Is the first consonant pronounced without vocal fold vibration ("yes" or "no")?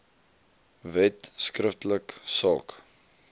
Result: no